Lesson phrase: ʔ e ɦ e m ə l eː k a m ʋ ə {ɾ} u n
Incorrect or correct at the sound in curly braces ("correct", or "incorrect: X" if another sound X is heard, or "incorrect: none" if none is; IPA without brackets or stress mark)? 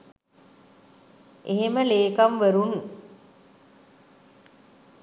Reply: correct